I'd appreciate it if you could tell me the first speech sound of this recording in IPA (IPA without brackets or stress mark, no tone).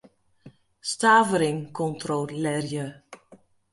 s